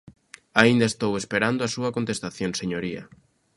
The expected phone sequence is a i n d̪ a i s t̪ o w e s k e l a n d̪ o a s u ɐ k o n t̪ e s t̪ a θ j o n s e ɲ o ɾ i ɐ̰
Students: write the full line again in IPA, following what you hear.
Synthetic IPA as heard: a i n d̪ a e s t̪ o w e s p e ɾ a n d̪ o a s u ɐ k o n t̪ e s t̪ a θ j o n s e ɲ o ɾ i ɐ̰